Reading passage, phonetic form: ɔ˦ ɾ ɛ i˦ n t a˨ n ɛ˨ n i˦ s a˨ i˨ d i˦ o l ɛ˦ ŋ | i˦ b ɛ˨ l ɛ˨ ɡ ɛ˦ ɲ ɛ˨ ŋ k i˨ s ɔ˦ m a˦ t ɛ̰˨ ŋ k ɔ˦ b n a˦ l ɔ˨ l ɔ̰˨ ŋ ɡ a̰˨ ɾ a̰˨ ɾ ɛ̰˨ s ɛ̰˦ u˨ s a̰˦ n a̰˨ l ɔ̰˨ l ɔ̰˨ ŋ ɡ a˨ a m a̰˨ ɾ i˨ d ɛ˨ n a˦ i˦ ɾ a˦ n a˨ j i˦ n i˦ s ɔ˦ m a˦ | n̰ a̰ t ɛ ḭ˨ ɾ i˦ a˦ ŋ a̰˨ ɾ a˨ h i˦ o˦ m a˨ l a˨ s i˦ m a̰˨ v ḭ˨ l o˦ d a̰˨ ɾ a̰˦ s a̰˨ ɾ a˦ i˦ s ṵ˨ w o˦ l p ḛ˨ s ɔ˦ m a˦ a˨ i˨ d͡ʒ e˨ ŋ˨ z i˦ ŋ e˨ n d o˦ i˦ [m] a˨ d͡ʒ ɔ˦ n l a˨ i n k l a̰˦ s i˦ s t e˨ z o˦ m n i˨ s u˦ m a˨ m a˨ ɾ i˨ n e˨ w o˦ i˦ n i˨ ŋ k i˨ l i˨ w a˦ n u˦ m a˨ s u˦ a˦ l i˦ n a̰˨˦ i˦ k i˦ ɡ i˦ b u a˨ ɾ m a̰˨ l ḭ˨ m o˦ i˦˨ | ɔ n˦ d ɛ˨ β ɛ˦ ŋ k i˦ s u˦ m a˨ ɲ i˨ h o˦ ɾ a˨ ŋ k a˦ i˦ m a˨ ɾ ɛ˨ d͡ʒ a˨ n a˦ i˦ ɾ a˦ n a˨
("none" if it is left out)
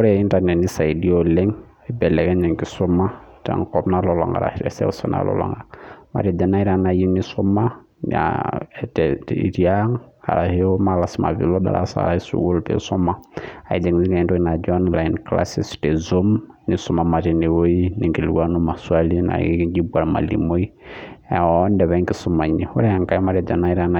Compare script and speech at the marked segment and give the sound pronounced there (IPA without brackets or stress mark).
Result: n